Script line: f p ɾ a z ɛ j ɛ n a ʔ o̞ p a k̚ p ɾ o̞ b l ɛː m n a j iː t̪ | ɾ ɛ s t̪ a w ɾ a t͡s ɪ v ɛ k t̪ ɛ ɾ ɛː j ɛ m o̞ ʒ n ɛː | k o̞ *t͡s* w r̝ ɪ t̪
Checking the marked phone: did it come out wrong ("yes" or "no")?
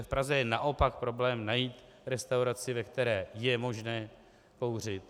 yes